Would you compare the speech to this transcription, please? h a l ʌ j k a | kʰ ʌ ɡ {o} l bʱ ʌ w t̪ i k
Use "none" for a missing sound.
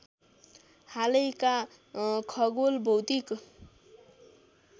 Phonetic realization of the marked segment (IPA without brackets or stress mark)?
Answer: o